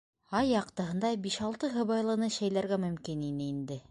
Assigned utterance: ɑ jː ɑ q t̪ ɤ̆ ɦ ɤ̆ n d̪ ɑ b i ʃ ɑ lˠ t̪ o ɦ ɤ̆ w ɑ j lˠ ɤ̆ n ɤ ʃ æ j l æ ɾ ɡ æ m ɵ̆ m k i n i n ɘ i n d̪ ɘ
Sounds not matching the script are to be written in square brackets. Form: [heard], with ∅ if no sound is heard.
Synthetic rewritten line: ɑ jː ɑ q t̪ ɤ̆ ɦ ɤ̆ n d̪ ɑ b i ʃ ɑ lˠ t̪ [ɤ] ɦ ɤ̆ [β] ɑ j lˠ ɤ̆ n ɤ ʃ æ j l æ ɾ ɡ æ m ɵ̆ m k i n i n ɘ i n d̪ ɘ